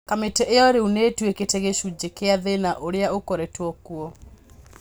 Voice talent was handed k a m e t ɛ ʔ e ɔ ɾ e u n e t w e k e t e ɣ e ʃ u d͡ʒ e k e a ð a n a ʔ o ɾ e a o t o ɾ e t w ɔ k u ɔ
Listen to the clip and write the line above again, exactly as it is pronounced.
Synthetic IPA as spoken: k a m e t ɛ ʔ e ɔ ɾ e u n e t w e k e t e ɣ e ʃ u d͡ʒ e k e a ð e n a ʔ o ɾ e a o k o ɾ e t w ɔ k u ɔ